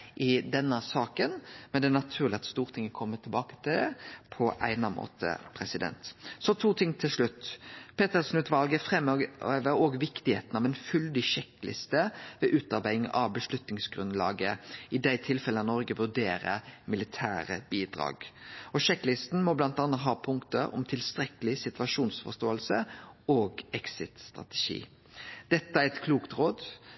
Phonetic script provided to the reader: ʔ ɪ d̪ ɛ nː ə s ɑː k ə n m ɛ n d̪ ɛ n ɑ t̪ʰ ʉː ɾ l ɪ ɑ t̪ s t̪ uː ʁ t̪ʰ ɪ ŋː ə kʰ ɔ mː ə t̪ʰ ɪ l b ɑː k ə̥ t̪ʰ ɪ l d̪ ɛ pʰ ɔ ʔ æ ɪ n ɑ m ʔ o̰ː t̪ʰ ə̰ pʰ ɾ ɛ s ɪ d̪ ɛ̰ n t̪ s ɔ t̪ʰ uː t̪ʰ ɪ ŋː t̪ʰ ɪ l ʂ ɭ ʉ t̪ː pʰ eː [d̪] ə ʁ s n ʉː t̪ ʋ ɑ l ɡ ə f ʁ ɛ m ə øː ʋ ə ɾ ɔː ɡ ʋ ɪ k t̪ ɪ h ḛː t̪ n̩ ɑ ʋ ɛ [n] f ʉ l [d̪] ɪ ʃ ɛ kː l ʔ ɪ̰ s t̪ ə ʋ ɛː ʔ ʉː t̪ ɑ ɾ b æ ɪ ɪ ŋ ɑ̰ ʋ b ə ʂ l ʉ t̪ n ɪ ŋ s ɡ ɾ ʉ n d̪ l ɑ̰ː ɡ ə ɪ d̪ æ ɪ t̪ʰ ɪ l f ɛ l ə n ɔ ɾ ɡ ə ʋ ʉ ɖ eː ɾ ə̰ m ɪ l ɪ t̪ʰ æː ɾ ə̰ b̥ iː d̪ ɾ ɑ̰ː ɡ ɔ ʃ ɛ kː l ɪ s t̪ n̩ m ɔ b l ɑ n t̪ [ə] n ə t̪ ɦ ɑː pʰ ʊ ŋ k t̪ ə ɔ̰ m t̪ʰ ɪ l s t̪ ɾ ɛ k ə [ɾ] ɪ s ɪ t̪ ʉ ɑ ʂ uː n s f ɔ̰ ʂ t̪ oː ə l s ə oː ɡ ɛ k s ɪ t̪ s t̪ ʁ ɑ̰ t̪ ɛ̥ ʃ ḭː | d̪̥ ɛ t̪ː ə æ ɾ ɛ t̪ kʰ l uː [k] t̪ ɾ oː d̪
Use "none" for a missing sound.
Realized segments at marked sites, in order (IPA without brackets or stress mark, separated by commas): t̪, n, d̪, ɑ, l, k